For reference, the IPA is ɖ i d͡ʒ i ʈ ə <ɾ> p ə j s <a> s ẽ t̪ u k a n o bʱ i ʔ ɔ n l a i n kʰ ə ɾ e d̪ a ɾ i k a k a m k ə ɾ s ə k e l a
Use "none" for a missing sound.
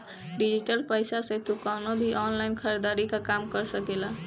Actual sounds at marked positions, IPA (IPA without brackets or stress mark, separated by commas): l, a